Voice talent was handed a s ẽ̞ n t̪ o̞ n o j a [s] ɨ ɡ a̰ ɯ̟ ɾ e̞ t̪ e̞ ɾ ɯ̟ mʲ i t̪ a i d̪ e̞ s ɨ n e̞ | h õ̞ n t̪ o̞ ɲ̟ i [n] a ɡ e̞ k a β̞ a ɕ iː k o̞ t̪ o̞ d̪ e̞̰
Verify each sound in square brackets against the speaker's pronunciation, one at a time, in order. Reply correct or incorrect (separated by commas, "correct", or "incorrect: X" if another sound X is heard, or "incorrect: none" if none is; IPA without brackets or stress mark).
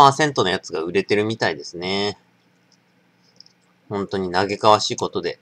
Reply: incorrect: t͡s, correct